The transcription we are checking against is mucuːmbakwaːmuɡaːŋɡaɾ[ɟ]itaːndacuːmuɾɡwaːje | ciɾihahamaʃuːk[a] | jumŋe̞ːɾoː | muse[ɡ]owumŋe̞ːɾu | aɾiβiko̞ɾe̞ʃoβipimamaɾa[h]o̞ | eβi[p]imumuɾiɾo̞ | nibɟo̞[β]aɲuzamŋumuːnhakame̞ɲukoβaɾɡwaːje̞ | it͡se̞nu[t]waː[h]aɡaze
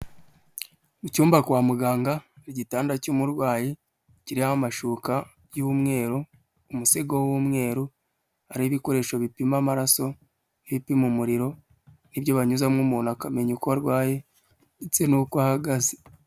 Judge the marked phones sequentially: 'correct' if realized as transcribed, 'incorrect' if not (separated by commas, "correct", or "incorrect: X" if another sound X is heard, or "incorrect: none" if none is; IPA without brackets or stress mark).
correct, correct, correct, incorrect: s, correct, correct, incorrect: k, correct